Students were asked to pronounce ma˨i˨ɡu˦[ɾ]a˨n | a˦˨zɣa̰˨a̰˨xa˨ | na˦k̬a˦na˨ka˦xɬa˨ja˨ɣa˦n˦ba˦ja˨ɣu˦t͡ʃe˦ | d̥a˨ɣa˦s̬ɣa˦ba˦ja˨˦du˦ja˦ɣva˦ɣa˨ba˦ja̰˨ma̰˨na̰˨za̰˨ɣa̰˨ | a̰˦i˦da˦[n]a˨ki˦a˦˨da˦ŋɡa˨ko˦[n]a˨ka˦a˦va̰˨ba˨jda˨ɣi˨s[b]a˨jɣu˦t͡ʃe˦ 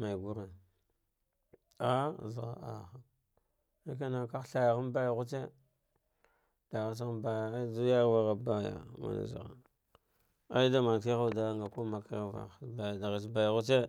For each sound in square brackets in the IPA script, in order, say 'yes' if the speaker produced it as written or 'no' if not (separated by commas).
yes, no, no, yes